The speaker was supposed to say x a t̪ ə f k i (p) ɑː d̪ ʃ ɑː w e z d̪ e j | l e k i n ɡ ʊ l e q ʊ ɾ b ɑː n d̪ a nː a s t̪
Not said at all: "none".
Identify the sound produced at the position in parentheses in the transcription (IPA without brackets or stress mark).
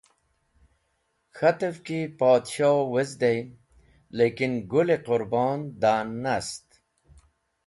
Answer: p